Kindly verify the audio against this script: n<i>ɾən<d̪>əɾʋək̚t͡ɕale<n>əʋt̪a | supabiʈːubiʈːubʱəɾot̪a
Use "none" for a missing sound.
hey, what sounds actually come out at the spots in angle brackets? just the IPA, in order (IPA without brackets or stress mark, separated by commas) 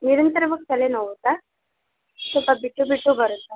i, t̪, n